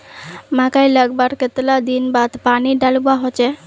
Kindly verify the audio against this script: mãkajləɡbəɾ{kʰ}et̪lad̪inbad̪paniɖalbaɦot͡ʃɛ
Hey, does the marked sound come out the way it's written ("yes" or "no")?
no